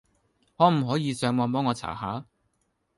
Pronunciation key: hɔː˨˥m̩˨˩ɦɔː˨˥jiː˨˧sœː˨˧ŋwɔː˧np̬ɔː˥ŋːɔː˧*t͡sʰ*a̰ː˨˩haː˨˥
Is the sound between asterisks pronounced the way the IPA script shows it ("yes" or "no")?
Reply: yes